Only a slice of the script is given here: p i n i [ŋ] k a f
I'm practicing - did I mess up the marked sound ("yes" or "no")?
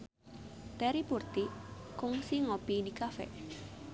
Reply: yes